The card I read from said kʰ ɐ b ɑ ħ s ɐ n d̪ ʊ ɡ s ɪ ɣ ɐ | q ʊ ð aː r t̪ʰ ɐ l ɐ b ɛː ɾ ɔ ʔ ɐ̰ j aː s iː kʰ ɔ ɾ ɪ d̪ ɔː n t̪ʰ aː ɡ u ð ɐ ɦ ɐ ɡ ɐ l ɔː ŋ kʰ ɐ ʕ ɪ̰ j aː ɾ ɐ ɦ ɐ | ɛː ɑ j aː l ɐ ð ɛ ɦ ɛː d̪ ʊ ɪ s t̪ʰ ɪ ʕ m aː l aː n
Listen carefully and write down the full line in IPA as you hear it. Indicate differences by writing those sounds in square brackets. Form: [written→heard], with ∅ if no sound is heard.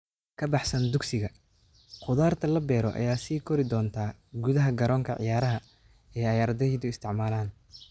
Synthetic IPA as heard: kʰ ɐ b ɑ ħ s ɐ n d̪ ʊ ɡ s ɪ ɣ ɐ | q ʊ ð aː r t̪ʰ ɐ l ɐ b ɛː ɾ ɔ ʔ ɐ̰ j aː s iː kʰ ɔ ɾ ɪ d̪ ɔː n t̪ʰ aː ɡ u ð ɐ ɦ ɐ ɡ ɐ [l→ɾ] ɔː ŋ kʰ ɐ ʕ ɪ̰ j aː ɾ ɐ ɦ ɐ | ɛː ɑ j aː [l→ɾ] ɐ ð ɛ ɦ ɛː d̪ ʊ ɪ s t̪ʰ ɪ ʕ m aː l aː n

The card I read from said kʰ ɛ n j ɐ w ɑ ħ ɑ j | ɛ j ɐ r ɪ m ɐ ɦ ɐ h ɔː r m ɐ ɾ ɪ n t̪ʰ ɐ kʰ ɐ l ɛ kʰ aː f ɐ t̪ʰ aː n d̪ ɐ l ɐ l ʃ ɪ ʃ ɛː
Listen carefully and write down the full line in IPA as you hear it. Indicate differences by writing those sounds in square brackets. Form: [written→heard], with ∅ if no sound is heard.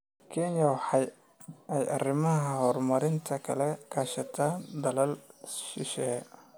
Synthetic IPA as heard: kʰ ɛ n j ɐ w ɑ ħ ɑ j | ɛ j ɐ r ɪ m ɐ ɦ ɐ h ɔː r m ɐ ɾ ɪ n t̪ʰ ɐ kʰ ɐ l ɛ kʰ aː [f→ʃ] ɐ t̪ʰ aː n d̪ ɐ l ɐ l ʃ ɪ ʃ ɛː

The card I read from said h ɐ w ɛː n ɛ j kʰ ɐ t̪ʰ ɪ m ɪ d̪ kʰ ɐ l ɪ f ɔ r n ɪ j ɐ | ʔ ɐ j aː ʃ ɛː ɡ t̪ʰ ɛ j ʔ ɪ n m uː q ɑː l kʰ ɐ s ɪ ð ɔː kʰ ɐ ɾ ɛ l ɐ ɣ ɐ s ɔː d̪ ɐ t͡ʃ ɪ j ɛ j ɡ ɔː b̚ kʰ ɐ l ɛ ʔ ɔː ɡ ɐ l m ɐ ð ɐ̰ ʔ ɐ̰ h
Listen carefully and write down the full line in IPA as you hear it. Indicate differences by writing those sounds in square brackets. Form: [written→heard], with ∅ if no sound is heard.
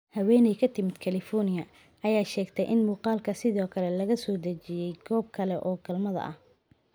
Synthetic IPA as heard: h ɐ w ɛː n ɛ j kʰ ɐ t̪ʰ ɪ m ɪ d̪ kʰ ɐ l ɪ f ɔ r n ɪ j ɐ | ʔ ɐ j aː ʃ ɛː ɡ t̪ʰ ɛ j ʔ ɪ n m uː q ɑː l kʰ ɐ s ɪ ð ɔː kʰ ɐ [ɾ→l] ɛ l ɐ ɣ ɐ s ɔː d̪ ɐ t͡ʃ ɪ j ɛ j ɡ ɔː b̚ kʰ ɐ l ɛ ʔ ɔː ɡ ɐ l m ɐ ð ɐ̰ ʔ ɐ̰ h

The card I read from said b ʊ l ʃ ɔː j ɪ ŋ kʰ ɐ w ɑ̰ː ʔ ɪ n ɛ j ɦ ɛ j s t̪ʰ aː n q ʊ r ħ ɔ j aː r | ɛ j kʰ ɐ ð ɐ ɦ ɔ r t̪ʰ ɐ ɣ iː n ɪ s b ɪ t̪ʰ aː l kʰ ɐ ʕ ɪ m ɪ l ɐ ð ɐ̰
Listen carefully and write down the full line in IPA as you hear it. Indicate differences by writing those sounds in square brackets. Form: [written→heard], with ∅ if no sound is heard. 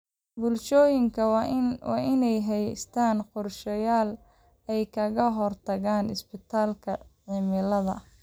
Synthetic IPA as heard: b ʊ l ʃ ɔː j ɪ ŋ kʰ ɐ w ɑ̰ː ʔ ɪ n ɛ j ɦ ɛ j s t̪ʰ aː n q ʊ r [ħ→ʃ] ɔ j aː [r→l] | ɛ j kʰ ɐ [ð→ɣ] ɐ ɦ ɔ r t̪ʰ ɐ ɣ [iː→aː] n ɪ s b ɪ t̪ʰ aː l kʰ ɐ ʕ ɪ m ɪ l ɐ ð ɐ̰

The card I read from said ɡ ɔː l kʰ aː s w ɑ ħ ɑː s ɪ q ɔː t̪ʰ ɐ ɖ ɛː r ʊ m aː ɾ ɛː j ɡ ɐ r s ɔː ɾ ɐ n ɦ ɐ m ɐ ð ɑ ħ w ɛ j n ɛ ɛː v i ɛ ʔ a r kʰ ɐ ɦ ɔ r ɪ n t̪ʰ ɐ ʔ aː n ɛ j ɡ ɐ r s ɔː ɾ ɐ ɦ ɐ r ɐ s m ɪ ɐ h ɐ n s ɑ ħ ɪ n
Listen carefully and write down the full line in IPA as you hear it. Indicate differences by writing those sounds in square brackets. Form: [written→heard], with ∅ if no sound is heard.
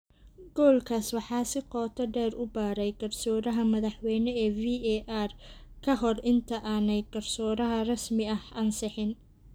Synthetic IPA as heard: ɡ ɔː l kʰ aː s w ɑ ħ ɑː s ɪ q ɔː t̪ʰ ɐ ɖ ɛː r ʊ [m→b] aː ɾ [ɛː→ɛ] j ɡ ɐ r s ɔː ɾ ɐ [n→∅] ɦ ɐ m ɐ ð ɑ ħ w ɛ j n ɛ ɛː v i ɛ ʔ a r kʰ ɐ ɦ ɔ r ɪ n t̪ʰ ɐ ʔ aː n ɛ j ɡ ɐ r s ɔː ɾ ɐ ɦ ɐ r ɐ s m ɪ ɐ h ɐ n s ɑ ħ ɪ n

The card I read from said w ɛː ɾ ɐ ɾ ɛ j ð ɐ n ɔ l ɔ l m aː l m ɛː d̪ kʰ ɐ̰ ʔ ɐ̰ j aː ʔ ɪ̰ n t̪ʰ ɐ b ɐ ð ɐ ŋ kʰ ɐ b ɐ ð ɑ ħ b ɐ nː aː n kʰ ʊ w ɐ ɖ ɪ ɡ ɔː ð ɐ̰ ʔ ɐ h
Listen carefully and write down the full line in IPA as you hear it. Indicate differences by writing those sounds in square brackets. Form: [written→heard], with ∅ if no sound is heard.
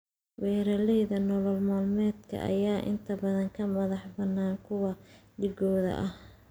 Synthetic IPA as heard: w ɛː ɾ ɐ [ɾ→l] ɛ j ð ɐ n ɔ l ɔ l m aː l m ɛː d̪ kʰ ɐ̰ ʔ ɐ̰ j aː ʔ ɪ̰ n t̪ʰ ɐ b ɐ ð ɐ ŋ kʰ ɐ [b→m] ɐ ð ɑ ħ b ɐ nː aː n kʰ ʊ w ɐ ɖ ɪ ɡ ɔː ð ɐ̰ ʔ ɐ h

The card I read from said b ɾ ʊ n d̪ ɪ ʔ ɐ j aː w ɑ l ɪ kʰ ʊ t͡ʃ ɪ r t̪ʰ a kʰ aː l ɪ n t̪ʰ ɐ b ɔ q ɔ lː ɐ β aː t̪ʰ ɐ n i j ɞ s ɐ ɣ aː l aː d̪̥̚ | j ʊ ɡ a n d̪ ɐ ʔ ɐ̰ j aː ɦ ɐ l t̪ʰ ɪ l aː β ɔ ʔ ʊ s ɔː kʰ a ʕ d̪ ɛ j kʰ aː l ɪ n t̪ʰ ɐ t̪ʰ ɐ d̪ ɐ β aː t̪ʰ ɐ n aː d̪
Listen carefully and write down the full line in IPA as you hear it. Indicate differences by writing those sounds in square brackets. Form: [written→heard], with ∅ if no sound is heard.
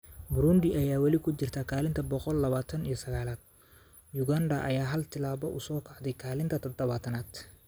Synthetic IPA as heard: b ɾ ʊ n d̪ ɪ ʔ ɐ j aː w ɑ l ɪ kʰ ʊ t͡ʃ ɪ r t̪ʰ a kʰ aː l ɪ n t̪ʰ ɐ b ɔ q ɔ lː ɐ β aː t̪ʰ ɐ n i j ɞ s ɐ ɣ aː l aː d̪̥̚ | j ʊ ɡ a n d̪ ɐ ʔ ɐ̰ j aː ɦ ɐ l t̪ʰ ɪ l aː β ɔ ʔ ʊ s ɔː kʰ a ʕ d̪ ɛ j kʰ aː l ɪ n t̪ʰ ɐ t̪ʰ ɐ d̪ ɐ β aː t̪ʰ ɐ n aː d̪

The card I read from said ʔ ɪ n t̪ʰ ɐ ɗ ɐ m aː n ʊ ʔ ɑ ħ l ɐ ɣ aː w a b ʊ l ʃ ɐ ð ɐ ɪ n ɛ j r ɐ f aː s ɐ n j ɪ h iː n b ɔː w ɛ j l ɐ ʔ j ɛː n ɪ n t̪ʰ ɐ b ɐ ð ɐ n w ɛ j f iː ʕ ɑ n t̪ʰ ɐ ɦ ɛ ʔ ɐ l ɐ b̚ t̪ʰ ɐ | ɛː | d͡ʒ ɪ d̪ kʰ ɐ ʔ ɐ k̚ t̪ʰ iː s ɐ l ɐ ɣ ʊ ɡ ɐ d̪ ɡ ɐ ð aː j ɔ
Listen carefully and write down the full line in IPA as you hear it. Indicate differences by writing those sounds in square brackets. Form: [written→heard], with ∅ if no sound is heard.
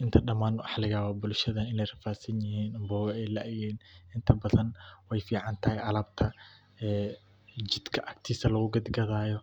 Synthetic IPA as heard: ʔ ɪ n t̪ʰ ɐ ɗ ɐ m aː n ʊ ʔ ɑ ħ l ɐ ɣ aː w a b ʊ l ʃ ɐ ð ɐ ɪ n ɛ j r ɐ f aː s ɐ n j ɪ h iː n b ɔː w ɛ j l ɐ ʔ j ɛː n ɪ n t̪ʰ ɐ b ɐ ð ɐ n w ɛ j f iː ʕ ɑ n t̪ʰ ɐ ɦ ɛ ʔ ɐ l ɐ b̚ t̪ʰ ɐ | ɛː | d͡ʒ ɪ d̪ kʰ ɐ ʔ ɐ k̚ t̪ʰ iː s ɐ l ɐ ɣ ʊ ɡ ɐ d̪ ɡ ɐ ð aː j ɔ

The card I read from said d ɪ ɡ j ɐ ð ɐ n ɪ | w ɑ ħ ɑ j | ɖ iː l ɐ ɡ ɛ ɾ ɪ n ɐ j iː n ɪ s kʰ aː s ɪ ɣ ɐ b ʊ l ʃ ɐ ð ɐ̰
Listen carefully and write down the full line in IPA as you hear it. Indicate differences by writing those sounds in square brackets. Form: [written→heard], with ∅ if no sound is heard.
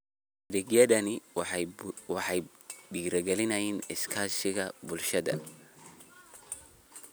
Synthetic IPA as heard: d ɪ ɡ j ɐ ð ɐ n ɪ | w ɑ ħ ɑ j | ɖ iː [l→ɾ] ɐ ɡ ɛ [ɾ→l] ɪ n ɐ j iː n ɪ s kʰ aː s ɪ ɣ ɐ b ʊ l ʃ ɐ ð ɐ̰

